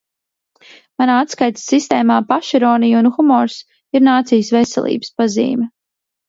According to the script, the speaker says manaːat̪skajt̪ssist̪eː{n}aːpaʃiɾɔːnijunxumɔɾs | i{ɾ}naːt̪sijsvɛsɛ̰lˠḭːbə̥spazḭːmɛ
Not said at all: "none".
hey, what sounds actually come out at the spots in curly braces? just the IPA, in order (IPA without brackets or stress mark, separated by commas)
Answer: m, ɾ